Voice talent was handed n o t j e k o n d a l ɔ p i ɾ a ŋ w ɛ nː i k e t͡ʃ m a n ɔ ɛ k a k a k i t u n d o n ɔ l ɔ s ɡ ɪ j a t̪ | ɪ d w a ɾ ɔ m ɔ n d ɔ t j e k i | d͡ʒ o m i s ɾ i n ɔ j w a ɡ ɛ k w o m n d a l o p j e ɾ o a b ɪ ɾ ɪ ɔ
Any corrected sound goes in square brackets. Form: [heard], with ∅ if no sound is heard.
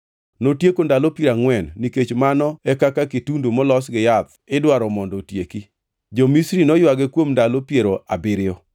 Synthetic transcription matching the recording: n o t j e k o n d a l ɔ p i ɾ a ŋ w ɛ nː i k e t͡ʃ m a n ɔ ɛ k a k a k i t u n d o [m] ɔ l ɔ s ɡ ɪ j a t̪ | ɪ d w a ɾ ɔ m ɔ n d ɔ t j e k i | d͡ʒ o m i s ɾ i n ɔ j w a ɡ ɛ k w o m n d a l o p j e ɾ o a b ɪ ɾ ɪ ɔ